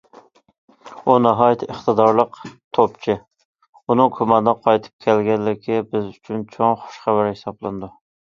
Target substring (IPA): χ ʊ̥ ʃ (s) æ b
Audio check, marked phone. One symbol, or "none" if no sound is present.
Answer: χ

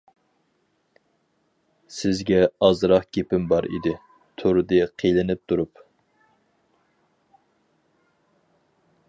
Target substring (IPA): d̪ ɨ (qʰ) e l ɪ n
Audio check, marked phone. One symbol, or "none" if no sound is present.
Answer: qʰ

